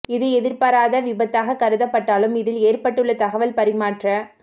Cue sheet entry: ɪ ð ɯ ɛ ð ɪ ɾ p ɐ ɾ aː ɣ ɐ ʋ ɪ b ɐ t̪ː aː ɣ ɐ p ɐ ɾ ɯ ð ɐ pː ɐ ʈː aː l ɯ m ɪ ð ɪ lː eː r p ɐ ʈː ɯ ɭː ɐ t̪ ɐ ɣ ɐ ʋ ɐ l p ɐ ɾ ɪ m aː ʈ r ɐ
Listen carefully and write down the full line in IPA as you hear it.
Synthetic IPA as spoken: ɪ ð ɯ ɛ ð ɪ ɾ p ɐ ɾ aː ð ɐ ʋ ɪ b ɐ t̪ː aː ɣ ɐ k ɐ ɾ ɯ ð ɐ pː ɐ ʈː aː l ɯ m ɪ ð ɪ l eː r p ɐ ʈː ɯ ɭː ɐ t̪ ɐ ɣ ɐ ʋ ɐ l p ɐ ɾ ɪ m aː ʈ r ɐ